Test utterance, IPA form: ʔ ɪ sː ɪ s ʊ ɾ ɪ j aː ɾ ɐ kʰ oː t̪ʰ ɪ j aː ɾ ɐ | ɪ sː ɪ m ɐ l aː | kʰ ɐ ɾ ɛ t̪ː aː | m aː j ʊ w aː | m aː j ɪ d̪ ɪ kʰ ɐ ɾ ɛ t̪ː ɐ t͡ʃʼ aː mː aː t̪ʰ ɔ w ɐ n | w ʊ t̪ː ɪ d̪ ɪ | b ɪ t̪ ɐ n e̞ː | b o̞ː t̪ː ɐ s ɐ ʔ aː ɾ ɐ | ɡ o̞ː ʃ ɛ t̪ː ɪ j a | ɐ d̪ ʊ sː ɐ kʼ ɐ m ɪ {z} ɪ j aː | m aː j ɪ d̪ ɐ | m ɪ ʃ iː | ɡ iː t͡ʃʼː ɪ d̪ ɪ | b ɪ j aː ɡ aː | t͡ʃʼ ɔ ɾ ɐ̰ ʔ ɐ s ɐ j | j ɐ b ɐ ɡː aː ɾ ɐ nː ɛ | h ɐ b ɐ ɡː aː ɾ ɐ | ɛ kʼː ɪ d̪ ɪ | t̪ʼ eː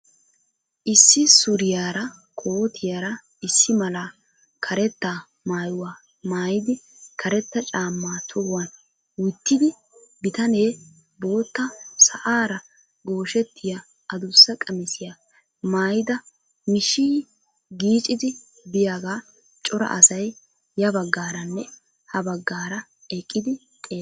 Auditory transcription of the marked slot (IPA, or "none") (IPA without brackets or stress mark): s